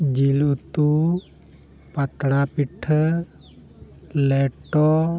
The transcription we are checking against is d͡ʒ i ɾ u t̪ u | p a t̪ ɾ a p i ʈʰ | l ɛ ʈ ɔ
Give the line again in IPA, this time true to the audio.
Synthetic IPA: d͡ʒ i l u t̪ u | p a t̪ ɽ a p i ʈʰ | l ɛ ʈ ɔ